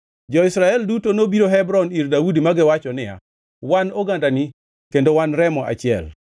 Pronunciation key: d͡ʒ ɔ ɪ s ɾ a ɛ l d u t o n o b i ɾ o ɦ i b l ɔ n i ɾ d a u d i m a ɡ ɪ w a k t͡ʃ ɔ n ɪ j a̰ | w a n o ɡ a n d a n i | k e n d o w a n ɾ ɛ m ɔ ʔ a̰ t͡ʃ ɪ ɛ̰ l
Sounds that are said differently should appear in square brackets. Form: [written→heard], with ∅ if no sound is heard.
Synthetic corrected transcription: d͡ʒ ɔ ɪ s ɾ a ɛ l d u t o n o b i ɾ o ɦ [i→ɛ] b [l→ɾ] ɔ n i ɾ d a u d i m a ɡ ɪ w a [k→∅] t͡ʃ ɔ n ɪ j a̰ | w a n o ɡ a n d a n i | k e n d o w a n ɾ ɛ m ɔ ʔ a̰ t͡ʃ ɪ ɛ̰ l